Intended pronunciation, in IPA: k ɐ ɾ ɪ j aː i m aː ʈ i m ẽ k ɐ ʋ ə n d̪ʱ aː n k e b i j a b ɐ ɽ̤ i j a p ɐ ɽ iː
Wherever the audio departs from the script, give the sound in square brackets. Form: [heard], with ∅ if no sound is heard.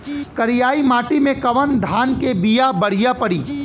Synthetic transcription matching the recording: k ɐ ɾ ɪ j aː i m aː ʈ i m ẽ k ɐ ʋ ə n d̪ʱ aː n k e b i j a b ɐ ɽ̤ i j a p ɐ ɽ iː